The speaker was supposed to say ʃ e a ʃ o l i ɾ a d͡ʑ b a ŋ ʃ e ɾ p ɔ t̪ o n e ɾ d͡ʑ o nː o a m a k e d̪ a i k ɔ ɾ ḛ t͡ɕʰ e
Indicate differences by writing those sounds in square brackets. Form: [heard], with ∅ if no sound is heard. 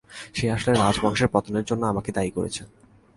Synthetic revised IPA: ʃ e a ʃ o l [e] ɾ a d͡ʑ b a ŋ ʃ e ɾ p ɔ t̪ o n e ɾ d͡ʑ o nː o a m a k e d̪ a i k [o] ɾ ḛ t͡ɕʰ e